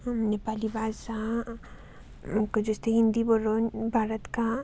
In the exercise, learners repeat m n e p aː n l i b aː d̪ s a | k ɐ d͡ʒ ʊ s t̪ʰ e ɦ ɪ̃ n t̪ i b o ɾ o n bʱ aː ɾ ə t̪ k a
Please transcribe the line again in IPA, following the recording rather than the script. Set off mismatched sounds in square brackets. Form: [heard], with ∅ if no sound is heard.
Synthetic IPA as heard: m n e p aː [∅] l i b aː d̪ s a | k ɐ d͡ʒ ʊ s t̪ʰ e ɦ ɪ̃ n [d̪] i b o ɾ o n bʱ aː ɾ ə t̪ k a